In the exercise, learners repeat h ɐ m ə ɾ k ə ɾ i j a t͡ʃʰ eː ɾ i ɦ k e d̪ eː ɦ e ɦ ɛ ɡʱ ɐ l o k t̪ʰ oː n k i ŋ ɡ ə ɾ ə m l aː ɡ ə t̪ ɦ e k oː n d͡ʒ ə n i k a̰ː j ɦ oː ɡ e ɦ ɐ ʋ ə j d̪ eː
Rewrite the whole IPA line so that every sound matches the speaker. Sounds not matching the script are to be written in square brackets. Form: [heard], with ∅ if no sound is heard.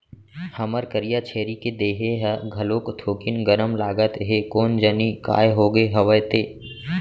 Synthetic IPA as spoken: h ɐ m ə ɾ k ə ɾ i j a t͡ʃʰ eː ɾ i [∅] k e d̪ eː ɦ e ɦ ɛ ɡʱ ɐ l o k t̪ʰ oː [∅] k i [n] ɡ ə ɾ ə m l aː ɡ ə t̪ ɦ e k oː n d͡ʒ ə n i k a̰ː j ɦ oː ɡ e ɦ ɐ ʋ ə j [t̪] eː